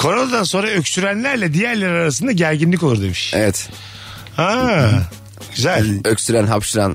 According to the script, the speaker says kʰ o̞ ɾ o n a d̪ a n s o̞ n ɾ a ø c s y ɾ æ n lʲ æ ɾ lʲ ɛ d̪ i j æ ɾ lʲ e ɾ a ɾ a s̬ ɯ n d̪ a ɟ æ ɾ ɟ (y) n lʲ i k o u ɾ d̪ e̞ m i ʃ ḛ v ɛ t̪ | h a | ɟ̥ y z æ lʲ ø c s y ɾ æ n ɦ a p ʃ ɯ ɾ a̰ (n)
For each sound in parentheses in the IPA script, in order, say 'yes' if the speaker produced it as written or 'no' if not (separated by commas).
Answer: no, yes